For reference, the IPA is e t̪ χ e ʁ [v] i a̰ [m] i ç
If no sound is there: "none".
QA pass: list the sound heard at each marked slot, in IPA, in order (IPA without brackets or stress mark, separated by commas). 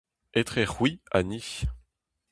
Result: w, n